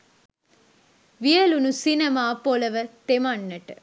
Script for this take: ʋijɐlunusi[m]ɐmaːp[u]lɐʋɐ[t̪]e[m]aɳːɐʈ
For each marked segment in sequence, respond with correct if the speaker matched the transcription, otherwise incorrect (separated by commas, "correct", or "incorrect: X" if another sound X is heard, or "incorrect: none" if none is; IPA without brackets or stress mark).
incorrect: n, incorrect: o, correct, correct